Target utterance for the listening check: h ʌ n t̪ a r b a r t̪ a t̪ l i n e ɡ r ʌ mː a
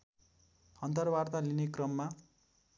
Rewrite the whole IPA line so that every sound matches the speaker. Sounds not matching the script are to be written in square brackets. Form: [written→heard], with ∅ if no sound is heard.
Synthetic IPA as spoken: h ʌ n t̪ [a→ʌ] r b a r t̪ a [t̪→∅] l i n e [ɡ→k] r ʌ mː a